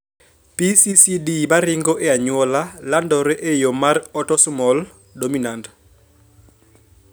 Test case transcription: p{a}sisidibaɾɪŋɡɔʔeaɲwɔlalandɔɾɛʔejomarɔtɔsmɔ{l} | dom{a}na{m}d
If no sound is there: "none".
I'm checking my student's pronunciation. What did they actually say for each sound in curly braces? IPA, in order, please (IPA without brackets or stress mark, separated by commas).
i, l, i, n